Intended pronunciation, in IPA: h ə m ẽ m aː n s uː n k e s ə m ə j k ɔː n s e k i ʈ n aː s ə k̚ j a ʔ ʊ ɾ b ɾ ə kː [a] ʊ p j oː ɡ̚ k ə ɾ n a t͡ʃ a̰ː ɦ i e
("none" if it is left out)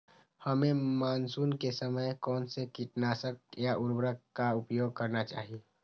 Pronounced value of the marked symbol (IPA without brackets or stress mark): a